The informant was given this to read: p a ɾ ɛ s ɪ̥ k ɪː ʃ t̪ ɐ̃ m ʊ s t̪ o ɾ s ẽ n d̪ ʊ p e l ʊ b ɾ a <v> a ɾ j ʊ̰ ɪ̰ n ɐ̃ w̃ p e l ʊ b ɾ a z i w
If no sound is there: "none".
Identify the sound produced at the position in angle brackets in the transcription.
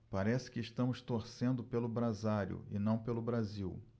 z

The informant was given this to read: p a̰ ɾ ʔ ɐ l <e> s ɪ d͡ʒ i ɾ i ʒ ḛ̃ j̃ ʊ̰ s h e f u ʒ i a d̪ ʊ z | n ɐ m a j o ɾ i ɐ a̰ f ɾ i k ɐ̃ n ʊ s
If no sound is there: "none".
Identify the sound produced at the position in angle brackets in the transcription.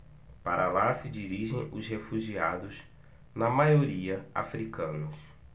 a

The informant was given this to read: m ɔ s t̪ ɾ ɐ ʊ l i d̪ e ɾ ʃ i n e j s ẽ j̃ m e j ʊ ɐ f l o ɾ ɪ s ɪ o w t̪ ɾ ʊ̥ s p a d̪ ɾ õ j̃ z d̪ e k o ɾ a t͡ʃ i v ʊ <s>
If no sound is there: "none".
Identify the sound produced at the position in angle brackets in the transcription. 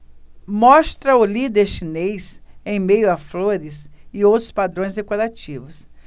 s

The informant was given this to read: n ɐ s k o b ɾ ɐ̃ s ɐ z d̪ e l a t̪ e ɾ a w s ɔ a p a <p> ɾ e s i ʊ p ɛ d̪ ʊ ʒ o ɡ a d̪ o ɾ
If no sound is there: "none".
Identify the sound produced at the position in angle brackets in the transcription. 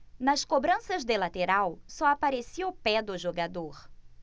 none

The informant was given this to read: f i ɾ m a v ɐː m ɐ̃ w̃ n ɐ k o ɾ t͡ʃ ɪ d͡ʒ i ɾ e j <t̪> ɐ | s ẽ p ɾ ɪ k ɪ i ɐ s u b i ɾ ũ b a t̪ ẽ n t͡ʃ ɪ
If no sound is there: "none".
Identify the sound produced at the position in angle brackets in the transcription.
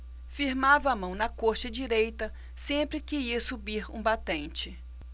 t̪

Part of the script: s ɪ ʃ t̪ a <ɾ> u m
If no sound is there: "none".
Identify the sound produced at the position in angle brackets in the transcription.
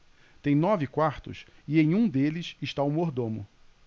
none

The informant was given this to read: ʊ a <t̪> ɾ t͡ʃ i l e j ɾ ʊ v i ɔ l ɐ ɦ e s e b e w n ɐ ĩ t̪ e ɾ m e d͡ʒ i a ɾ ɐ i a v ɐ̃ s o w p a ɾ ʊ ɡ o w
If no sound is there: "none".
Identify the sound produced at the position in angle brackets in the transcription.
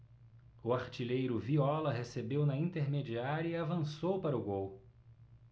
none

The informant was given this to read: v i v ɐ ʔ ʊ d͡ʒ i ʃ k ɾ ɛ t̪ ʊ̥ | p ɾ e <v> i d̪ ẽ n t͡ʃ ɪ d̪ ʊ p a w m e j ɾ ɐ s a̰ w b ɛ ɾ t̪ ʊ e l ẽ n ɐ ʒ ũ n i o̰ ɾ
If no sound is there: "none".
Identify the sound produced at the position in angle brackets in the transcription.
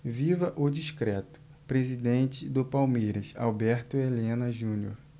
z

